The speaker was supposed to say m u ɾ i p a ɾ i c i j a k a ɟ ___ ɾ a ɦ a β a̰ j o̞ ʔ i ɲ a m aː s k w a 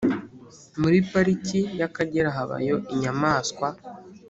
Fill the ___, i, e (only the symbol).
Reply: e